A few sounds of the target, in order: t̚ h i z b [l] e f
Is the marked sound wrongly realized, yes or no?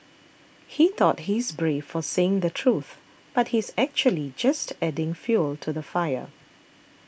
yes